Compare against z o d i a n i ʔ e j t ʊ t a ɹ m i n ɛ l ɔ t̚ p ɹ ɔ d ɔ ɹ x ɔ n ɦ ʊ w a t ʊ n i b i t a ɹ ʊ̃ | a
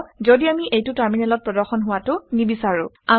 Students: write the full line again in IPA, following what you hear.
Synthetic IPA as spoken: z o d i a m i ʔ e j t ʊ t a ɹ m i n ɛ l ɔ t̚ p ɹ ɔ d ɔ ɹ x ɔ n ɦ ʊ w a t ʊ n i b i s a ɹ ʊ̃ | a